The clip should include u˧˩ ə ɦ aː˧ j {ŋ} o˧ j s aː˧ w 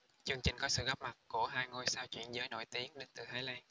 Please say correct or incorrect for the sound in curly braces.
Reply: correct